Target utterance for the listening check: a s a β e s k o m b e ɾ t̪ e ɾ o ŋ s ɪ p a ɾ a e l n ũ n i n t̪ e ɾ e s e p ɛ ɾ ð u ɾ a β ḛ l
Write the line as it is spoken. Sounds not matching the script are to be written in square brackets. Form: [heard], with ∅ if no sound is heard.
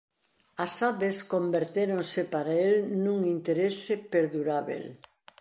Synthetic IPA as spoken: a s a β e s k o m b e ɾ t̪ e ɾ o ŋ s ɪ p a ɾ a e l n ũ [ŋ] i n t̪ e ɾ e s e p [e] ɾ ð u ɾ a β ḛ l